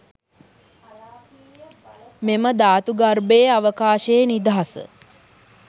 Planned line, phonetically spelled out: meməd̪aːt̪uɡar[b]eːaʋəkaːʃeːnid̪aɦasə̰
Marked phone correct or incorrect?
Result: correct